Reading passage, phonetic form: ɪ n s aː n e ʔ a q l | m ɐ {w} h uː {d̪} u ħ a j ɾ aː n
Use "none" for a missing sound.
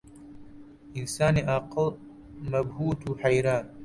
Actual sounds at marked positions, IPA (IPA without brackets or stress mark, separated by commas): b, t̪